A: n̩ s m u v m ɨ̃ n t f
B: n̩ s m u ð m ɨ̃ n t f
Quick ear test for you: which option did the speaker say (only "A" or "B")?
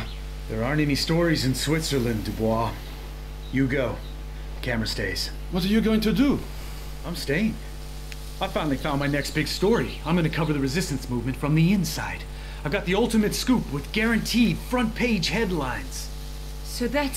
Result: A